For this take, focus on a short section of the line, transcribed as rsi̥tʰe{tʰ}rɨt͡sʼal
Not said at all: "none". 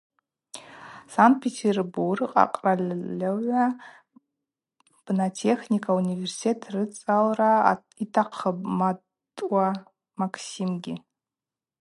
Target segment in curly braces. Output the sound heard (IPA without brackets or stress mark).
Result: tʰ